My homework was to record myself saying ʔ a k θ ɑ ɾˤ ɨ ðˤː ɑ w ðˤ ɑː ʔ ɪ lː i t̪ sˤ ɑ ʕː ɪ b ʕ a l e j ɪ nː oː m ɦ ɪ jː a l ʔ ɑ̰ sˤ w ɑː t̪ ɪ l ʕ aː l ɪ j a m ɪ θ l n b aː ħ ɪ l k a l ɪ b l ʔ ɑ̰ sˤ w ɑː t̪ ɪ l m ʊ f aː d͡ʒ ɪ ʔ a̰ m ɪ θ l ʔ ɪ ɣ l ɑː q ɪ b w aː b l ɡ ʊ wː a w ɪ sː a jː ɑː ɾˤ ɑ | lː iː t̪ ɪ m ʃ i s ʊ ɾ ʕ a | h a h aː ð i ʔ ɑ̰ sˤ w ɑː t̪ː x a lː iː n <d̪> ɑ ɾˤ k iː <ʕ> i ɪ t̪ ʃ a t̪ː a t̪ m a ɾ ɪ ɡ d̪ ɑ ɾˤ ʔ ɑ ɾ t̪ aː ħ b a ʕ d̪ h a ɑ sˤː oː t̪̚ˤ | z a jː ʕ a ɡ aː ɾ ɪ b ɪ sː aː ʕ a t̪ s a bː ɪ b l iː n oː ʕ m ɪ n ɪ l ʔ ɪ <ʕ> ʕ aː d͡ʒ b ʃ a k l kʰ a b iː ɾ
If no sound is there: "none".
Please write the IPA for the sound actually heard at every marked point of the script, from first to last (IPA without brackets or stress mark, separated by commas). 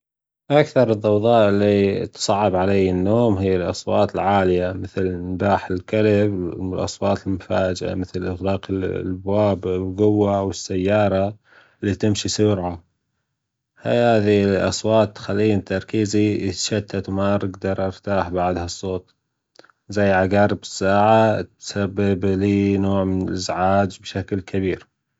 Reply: t̪, z, z